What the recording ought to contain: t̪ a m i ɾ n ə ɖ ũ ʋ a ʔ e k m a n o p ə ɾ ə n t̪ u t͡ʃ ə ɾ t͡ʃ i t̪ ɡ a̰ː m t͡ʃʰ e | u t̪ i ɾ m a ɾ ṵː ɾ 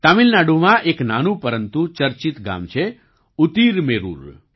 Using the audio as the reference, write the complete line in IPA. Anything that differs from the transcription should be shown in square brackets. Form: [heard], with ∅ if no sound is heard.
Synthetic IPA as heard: t̪ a m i [l] n [a] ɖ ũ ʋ a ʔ e k [n] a n [u] p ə ɾ ə n t̪ u t͡ʃ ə ɾ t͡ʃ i t̪ ɡ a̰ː m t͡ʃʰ e | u t̪ i ɾ m [e] ɾ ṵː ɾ